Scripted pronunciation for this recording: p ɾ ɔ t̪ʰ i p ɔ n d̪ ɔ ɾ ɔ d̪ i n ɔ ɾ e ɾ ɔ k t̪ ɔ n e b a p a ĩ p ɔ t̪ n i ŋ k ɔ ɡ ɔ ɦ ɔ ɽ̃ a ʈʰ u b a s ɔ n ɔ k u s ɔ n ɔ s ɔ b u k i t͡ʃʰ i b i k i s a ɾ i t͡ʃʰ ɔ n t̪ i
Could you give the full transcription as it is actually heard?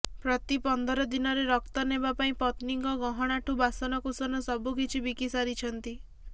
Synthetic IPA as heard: p ɾ ɔ t̪ i p ɔ n d̪ ɔ ɾ ɔ d̪ i n ɔ ɾ e ɾ ɔ k t̪ ɔ n e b a p a ĩ p ɔ t̪ n i ŋ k ɔ ɡ ɔ ɦ ɔ ɽ̃ a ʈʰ u b a s ɔ n ɔ k u s ɔ n ɔ s ɔ b u k i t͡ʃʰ i b i k i s a ɾ i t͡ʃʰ ɔ n t̪ i